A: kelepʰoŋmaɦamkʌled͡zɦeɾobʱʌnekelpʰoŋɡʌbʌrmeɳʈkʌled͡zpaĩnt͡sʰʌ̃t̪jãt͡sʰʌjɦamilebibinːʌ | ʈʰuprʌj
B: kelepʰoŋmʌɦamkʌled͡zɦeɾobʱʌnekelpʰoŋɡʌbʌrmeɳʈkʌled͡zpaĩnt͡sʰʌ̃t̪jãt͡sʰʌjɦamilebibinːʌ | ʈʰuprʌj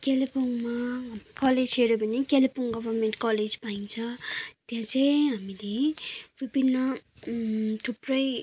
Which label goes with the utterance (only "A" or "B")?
A